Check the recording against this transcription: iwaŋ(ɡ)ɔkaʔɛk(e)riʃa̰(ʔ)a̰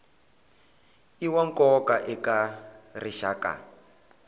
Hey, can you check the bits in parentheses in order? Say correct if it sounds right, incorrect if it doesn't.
incorrect, incorrect, incorrect

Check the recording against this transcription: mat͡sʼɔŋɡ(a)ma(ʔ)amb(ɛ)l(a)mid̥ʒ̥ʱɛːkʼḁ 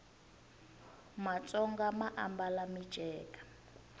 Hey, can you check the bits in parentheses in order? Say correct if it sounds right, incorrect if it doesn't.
correct, correct, incorrect, correct

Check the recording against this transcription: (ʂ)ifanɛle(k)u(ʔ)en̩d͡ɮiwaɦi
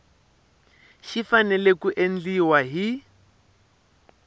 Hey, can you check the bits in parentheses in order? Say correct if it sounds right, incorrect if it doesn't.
incorrect, correct, correct

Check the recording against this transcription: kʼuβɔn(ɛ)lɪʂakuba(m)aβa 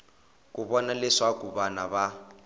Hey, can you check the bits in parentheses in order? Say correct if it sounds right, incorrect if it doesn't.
incorrect, incorrect

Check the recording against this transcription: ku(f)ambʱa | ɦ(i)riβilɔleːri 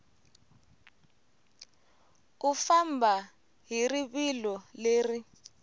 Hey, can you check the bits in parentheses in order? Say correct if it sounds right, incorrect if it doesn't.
correct, correct

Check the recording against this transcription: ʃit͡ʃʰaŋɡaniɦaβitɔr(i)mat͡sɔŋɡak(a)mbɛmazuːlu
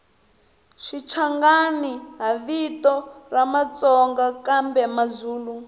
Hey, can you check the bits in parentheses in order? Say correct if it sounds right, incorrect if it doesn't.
incorrect, correct

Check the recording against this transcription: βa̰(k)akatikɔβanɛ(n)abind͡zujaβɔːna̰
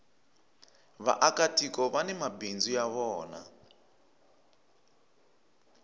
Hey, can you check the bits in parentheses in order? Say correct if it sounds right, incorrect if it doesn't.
incorrect, incorrect

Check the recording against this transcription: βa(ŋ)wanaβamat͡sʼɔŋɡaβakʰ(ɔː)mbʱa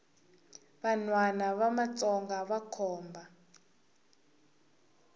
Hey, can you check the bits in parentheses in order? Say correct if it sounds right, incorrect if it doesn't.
incorrect, correct

